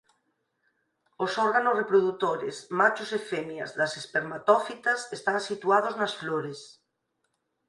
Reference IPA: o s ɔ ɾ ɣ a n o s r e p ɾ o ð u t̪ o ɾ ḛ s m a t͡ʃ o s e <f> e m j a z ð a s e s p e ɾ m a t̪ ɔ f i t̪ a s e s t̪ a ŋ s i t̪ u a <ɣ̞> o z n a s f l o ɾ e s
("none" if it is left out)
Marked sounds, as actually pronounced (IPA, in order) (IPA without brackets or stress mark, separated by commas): f, ð̞